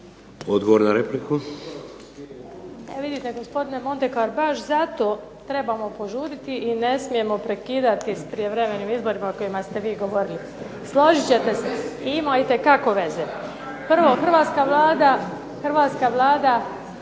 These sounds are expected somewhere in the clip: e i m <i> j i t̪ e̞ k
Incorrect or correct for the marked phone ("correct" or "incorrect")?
incorrect